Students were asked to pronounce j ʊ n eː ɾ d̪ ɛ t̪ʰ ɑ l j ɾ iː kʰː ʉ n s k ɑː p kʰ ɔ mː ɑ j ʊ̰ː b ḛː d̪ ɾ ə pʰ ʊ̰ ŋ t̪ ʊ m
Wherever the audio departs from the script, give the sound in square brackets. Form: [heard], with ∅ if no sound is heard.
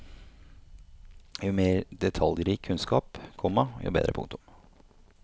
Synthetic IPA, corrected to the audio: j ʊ [m] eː ɾ d̪ ɛ t̪ʰ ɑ l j ɾ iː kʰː ʉ n s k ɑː p kʰ ɔ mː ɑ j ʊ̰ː b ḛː d̪ ɾ ə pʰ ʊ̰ ŋ t̪ ʊ m